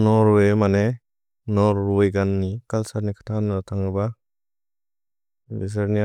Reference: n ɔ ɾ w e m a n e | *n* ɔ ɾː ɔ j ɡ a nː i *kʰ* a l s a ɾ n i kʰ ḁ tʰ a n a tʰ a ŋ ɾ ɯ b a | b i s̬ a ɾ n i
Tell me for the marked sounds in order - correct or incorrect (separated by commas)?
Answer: correct, incorrect